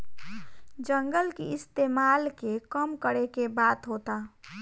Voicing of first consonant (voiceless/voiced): voiced